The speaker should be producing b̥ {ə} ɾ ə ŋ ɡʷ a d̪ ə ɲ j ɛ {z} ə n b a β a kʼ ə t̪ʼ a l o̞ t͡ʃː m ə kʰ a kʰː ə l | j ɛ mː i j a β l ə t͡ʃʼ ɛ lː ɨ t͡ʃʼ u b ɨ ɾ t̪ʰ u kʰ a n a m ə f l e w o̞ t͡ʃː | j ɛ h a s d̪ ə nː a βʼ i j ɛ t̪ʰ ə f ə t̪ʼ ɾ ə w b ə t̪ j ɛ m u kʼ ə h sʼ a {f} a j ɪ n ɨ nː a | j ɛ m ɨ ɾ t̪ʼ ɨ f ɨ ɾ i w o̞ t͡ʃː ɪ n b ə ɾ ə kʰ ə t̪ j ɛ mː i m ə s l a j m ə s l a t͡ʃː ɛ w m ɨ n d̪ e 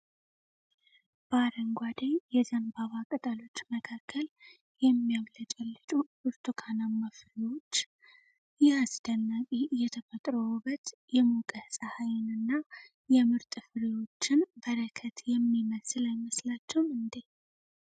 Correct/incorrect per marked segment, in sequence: incorrect, correct, incorrect

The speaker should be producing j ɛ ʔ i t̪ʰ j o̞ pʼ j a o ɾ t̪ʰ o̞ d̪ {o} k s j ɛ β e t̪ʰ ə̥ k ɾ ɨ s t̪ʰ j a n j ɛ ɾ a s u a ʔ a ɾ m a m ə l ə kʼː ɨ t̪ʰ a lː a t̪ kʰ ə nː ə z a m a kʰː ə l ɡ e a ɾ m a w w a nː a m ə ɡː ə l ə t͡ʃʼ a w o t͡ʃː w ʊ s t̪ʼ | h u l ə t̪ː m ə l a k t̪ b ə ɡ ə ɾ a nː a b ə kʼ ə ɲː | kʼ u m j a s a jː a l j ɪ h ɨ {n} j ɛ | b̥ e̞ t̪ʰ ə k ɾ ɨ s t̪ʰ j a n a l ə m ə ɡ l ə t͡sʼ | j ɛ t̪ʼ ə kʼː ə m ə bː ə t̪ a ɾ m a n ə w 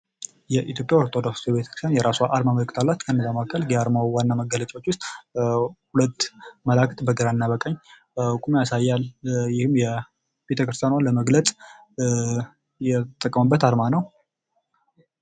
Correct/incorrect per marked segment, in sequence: correct, incorrect

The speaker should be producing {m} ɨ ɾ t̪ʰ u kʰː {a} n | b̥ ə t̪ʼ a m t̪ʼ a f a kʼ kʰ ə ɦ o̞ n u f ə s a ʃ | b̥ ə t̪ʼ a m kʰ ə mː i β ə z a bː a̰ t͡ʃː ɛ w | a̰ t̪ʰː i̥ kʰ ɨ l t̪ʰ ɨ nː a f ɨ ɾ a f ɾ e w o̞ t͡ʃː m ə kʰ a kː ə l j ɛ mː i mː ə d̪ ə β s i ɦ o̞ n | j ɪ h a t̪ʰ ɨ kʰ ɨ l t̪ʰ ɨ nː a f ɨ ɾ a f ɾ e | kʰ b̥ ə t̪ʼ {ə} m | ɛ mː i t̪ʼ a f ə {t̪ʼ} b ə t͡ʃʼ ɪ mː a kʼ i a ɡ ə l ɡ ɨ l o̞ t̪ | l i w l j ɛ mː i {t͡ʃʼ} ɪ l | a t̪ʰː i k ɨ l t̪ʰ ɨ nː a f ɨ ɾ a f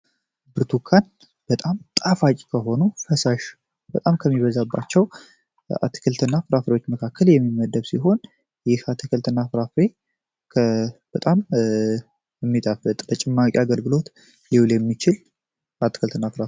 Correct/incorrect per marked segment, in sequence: incorrect, correct, incorrect, correct, incorrect

